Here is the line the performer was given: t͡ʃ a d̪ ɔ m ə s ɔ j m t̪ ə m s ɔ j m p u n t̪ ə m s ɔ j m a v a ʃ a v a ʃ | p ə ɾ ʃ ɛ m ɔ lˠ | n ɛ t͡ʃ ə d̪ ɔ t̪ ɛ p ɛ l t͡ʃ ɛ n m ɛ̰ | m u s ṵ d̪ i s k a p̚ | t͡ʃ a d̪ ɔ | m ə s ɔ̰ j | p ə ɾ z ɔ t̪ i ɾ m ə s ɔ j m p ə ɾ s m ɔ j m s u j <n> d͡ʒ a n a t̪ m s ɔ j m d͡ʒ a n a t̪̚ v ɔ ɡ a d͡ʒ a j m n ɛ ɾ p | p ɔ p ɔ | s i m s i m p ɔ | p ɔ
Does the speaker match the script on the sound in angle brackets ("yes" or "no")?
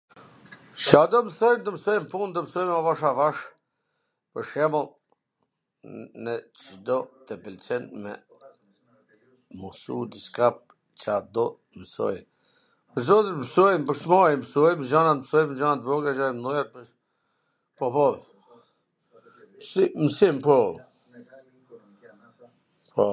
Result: no